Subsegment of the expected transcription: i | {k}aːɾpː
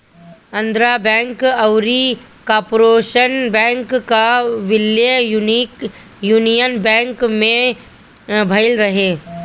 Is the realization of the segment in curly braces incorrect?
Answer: no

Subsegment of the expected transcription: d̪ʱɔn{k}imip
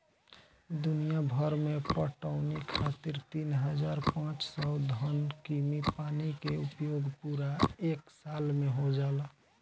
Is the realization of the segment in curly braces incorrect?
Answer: no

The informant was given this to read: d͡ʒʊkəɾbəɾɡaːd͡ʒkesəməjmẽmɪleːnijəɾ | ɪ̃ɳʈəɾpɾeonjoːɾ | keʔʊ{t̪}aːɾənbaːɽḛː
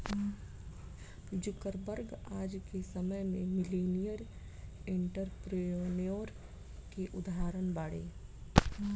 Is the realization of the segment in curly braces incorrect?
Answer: yes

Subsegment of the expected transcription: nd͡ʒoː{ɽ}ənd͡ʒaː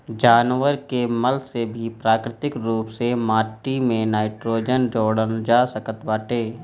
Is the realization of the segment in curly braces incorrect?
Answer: no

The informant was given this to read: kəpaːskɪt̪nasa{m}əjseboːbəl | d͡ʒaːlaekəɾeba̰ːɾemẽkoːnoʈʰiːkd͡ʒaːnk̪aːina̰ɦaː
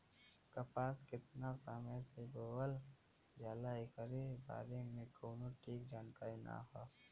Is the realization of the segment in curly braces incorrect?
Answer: no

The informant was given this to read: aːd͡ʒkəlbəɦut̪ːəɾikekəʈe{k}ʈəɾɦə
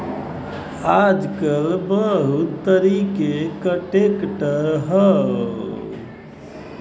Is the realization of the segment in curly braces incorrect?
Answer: no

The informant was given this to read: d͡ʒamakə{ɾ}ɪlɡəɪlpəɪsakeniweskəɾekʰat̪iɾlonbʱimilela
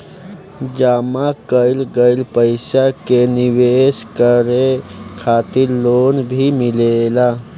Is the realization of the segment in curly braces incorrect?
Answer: yes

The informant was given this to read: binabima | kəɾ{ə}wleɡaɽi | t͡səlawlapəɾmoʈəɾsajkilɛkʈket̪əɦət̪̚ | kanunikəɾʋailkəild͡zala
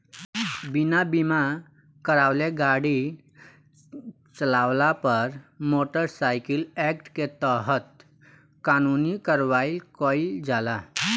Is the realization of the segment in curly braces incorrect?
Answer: yes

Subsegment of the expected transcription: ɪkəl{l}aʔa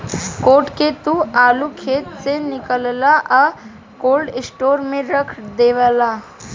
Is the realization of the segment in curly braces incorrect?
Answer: no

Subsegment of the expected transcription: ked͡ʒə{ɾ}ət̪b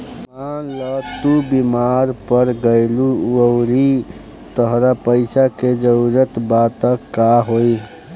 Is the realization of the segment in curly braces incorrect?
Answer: no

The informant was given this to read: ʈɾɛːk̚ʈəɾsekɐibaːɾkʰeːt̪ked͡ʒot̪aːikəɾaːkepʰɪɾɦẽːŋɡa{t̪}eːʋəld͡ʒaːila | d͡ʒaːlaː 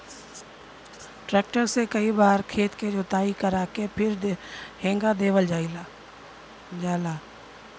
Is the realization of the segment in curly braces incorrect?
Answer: yes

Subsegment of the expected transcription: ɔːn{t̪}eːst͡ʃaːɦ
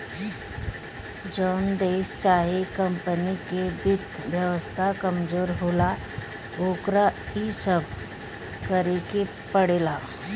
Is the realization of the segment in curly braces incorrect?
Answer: yes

